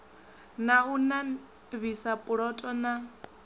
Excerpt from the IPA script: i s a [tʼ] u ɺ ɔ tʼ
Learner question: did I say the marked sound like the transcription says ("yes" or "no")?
no